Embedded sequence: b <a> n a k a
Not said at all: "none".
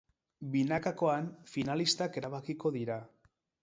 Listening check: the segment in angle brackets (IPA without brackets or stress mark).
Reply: i